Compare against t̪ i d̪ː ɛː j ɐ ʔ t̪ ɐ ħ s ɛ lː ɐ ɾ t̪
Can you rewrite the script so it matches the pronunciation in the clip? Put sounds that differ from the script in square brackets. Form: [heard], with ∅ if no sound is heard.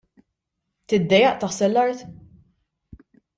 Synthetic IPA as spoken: t̪ [ɪ] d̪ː [ɛ] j ɐ ʔ t̪ ɐ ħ s ɛ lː ɐ ɾ t̪